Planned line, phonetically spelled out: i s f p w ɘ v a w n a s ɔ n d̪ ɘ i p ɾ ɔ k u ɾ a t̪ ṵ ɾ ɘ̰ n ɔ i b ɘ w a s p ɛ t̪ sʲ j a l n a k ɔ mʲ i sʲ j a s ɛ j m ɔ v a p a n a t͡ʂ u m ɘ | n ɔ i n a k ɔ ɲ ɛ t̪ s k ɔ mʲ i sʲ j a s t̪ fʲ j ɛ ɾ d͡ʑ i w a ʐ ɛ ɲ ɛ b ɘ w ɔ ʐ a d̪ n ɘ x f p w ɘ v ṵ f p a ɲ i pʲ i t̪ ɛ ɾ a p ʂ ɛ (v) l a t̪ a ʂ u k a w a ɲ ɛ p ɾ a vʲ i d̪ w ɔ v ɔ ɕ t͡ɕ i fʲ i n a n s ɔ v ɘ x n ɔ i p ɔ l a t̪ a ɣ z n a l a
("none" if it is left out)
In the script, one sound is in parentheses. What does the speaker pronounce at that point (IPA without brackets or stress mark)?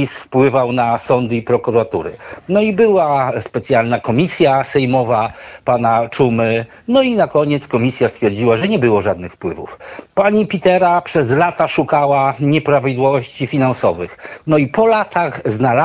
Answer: z